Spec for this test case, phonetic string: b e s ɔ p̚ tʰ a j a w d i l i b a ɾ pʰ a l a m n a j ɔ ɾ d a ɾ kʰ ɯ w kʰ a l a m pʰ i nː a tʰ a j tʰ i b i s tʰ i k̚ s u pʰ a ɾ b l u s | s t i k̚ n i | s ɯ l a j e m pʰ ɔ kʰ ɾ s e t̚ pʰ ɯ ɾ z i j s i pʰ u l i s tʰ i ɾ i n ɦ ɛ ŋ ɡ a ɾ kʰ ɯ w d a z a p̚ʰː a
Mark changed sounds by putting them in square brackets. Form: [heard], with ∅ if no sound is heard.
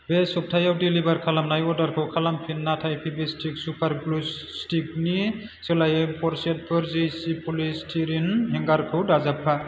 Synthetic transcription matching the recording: b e s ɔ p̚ tʰ a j a w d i l i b a ɾ [kʰ] a l a m n a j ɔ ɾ d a ɾ kʰ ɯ w kʰ a l a m pʰ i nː a tʰ a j [pʰ] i b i s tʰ i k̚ s u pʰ a ɾ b l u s | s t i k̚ n i | s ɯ l a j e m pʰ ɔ [∅] ɾ s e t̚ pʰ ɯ ɾ z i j s i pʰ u l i s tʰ i ɾ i n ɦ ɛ ŋ ɡ a ɾ kʰ ɯ w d a z a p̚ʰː a